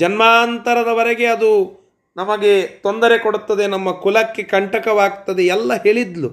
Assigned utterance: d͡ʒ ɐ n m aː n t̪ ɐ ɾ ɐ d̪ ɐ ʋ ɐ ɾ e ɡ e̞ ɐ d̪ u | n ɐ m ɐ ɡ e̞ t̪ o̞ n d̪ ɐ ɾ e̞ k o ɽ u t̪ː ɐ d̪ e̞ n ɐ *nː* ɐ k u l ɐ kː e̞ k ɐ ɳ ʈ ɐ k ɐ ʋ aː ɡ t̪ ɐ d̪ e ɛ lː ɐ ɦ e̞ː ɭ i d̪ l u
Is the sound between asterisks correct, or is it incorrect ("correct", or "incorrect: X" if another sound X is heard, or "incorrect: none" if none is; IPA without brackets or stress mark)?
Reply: incorrect: mː